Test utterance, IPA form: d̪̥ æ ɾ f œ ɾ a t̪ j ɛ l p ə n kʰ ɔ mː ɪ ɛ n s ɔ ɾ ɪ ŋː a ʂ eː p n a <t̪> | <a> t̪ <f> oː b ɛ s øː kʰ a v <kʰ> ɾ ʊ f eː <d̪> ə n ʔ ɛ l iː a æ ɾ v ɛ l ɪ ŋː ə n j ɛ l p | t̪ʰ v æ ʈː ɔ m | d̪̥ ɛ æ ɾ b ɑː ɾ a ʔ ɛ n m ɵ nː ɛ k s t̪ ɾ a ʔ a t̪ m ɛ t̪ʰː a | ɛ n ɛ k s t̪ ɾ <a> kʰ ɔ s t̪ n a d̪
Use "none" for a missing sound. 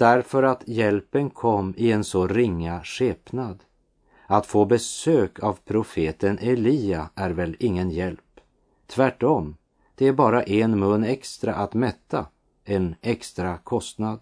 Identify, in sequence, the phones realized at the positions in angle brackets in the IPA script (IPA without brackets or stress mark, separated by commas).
d̪, a, f, pʰ, t̪, a